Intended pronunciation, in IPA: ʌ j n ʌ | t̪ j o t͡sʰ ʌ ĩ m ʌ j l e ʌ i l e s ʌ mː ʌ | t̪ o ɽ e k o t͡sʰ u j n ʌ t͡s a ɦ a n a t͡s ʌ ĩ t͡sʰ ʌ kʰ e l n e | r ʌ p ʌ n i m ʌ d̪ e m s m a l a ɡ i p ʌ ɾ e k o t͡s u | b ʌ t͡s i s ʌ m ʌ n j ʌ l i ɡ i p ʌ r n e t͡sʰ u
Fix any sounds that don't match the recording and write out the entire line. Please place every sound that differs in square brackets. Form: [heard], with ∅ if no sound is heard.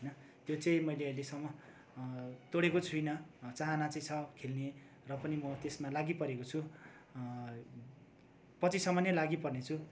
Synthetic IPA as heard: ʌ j n ʌ | t̪ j o [t͡s] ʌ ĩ m ʌ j l e ʌ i l e s ʌ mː ʌ | t̪ o ɽ e k o t͡sʰ u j n ʌ t͡s a ɦ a n a t͡s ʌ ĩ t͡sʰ ʌ kʰ e l n e | r ʌ p ʌ n i m ʌ [t̪] e [∅] s m a l a ɡ i p ʌ ɾ e k o [t͡sʰ] u | [p] ʌ t͡s i s ʌ m ʌ n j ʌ l [a] ɡ i p ʌ r n e t͡sʰ u